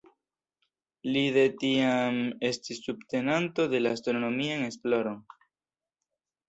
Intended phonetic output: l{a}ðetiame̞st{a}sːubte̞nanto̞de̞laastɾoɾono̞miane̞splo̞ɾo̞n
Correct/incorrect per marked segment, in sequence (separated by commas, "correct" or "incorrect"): incorrect, incorrect